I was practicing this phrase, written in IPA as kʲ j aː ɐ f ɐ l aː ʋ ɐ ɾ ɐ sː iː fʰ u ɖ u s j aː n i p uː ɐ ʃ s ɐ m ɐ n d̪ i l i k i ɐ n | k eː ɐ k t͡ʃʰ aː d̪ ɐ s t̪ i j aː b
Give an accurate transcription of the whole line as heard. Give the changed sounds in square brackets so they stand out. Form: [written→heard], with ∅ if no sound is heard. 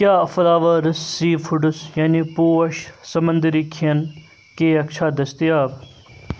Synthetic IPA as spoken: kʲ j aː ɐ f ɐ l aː ʋ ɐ ɾ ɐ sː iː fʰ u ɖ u s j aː n i p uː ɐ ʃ s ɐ m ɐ n d̪ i [l→ɾ] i [k→kʰ] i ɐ n | k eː ɐ k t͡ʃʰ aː d̪ ɐ s t̪ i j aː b